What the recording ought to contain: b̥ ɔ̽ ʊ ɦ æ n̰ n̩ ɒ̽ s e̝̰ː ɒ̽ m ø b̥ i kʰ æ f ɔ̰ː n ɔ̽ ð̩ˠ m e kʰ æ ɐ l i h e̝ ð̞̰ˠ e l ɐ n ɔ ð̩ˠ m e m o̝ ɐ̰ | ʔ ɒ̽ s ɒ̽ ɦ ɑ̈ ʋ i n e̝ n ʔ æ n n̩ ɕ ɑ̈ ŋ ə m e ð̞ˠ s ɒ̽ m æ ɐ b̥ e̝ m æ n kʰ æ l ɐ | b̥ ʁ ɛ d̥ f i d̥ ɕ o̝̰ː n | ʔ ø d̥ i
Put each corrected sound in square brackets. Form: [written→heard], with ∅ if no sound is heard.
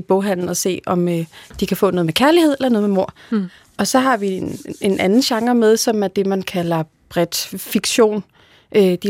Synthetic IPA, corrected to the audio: b̥ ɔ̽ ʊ ɦ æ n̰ n̩ ɒ̽ s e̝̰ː ɒ̽ m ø [b̥→d̥] i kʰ æ f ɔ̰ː n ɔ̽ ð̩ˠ m e kʰ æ ɐ l i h e̝ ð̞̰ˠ e l ɐ n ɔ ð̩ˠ m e m o̝ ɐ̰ | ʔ ɒ̽ s ɒ̽ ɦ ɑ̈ ʋ i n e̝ n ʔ æ n n̩ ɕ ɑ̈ ŋ [ə→ɐ] m e ð̞ˠ s ɒ̽ m æ ɐ [b̥→d̥] e̝ m æ n kʰ æ l ɐ | b̥ ʁ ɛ d̥ f i [d̥→ɡ̥] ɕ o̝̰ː n | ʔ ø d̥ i